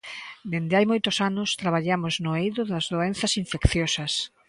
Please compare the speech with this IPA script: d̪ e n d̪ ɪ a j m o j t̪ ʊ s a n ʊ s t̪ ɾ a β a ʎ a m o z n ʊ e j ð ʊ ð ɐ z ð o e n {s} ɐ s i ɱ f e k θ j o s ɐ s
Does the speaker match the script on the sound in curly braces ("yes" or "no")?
no